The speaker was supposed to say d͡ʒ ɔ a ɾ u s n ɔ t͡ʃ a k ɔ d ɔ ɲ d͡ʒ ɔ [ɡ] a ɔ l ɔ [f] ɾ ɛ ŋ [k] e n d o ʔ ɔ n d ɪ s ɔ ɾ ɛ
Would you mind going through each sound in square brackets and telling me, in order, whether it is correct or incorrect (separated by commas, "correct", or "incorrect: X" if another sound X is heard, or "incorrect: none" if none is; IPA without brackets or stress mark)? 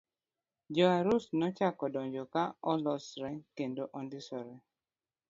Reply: incorrect: k, incorrect: s, correct